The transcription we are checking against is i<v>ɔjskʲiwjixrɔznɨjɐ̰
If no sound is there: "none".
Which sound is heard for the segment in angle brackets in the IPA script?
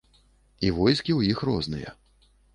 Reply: v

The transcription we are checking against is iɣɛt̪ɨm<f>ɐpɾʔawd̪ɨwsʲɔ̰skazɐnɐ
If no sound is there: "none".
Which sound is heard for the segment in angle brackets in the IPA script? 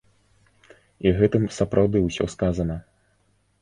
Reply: s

